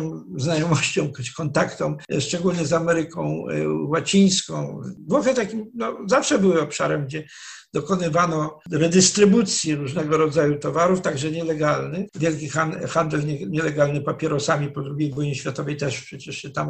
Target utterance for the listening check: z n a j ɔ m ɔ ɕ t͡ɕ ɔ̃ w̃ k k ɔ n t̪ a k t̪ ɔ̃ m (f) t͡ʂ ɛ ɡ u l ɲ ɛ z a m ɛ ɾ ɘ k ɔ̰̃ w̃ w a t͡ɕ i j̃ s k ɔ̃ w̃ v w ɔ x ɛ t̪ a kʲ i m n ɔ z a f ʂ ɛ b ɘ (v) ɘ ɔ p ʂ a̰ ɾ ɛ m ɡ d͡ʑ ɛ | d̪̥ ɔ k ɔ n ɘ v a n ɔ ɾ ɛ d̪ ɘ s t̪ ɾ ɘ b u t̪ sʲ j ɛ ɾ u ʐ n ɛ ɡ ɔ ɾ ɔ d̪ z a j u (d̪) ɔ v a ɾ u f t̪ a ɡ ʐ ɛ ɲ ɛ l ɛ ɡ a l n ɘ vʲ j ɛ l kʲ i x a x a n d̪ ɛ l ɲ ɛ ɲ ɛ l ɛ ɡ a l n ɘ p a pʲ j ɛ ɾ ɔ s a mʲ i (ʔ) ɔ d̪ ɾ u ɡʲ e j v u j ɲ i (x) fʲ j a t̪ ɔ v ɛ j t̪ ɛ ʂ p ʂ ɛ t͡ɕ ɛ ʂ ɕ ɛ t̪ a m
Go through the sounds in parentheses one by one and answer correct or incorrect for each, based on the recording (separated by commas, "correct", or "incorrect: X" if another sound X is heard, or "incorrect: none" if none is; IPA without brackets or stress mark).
incorrect: ʂ, incorrect: w, incorrect: t̪, incorrect: p, incorrect: ɕ